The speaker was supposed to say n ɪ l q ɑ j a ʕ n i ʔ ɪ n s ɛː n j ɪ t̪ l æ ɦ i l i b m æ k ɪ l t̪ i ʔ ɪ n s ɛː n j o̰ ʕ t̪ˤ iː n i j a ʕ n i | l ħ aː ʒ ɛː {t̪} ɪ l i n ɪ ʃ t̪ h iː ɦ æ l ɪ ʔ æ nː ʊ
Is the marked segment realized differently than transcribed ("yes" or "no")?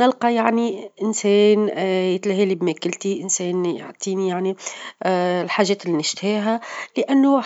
no